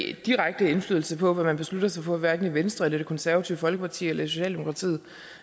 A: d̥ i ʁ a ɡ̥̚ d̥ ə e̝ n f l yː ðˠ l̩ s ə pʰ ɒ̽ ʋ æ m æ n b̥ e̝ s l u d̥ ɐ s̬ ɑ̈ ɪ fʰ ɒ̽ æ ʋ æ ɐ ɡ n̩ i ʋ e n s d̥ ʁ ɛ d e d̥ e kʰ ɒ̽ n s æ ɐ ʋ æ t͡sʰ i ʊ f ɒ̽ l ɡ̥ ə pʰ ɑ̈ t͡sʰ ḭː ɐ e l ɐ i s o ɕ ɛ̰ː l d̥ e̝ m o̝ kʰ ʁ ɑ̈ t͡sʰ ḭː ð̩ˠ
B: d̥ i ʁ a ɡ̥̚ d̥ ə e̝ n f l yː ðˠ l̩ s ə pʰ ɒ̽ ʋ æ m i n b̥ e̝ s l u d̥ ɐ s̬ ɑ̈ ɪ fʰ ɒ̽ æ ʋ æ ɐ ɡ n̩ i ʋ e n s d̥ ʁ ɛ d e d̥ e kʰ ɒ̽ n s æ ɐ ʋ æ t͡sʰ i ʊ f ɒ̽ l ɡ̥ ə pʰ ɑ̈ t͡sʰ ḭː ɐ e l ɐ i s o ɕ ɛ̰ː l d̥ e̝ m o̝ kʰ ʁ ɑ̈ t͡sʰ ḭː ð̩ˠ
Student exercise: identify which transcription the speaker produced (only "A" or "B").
A